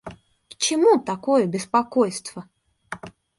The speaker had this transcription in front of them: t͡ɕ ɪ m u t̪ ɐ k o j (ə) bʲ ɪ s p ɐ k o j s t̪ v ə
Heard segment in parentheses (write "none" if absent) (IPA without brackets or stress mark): ə